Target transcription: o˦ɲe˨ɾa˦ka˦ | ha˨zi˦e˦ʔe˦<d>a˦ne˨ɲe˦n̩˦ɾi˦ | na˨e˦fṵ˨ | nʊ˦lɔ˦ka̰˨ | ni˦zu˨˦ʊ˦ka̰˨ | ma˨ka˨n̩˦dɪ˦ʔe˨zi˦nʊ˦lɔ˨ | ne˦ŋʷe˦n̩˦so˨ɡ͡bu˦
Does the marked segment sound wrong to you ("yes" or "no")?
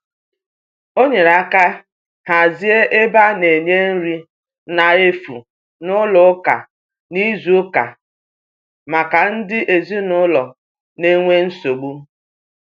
yes